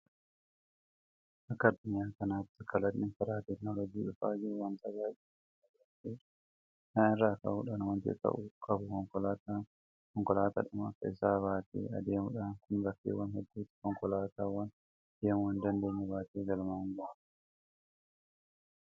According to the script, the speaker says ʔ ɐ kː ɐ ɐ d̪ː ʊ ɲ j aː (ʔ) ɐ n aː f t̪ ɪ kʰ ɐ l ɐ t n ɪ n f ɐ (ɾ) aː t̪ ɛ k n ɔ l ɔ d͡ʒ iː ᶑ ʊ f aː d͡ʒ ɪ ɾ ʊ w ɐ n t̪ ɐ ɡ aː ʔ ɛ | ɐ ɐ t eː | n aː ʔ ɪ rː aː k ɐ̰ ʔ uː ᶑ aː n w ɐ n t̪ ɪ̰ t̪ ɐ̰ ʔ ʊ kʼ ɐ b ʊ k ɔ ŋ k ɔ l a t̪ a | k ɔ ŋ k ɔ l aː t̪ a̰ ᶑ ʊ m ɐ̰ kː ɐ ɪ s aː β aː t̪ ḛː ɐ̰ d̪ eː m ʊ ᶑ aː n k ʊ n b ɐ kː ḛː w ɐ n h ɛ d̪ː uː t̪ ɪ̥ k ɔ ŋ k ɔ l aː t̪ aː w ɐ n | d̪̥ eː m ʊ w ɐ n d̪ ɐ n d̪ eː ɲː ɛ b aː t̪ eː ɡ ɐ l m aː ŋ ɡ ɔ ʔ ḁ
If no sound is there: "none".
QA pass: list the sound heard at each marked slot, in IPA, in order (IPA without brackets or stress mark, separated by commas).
k, ɾ